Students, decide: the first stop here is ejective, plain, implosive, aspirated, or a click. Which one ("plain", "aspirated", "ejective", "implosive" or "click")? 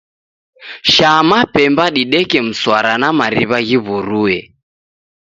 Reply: plain